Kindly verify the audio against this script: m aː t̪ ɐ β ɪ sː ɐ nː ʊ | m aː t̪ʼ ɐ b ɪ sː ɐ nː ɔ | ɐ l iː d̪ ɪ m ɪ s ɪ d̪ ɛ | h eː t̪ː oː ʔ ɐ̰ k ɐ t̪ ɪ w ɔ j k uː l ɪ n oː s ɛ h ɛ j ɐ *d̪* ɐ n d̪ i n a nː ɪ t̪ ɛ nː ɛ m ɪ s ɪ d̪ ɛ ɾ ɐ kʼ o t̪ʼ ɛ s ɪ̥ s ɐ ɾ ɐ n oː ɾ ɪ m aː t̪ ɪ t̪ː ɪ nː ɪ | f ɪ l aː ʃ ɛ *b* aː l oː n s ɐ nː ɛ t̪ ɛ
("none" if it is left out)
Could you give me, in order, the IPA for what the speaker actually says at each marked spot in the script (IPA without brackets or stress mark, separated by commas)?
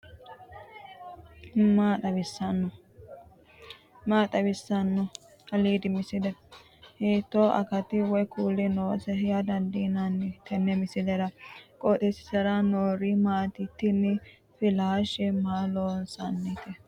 d̪, m